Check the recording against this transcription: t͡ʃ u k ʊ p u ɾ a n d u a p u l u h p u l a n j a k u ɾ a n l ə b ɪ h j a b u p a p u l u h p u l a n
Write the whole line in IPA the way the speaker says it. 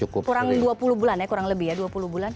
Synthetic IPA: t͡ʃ u k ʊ k u ɾ a ŋ d u a p u l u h b u l a n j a k u ɾ a ŋ l ə b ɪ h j a d u a p u l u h b u l a n